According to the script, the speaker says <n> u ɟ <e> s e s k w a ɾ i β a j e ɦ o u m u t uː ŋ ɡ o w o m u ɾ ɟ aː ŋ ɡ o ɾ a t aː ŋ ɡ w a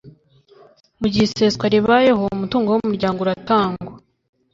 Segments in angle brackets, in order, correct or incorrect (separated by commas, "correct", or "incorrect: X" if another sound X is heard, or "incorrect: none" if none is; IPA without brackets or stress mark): incorrect: m, incorrect: i